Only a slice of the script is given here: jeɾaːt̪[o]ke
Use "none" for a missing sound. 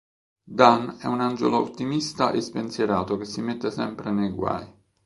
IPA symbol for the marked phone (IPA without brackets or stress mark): o